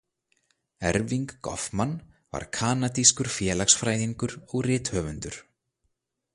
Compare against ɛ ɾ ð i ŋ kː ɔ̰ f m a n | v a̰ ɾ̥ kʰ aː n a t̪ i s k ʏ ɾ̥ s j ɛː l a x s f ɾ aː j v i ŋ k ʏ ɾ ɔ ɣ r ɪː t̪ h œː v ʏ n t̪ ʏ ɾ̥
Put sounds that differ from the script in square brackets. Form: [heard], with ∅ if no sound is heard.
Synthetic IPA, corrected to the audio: ɛ ɾ [v] i ŋ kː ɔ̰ f m a n | v a̰ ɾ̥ kʰ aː n a t̪ i s k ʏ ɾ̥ [f] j ɛː l a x s f ɾ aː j [ð] i ŋ k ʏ ɾ ɔ ɣ r ɪː t̪ h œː v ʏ n t̪ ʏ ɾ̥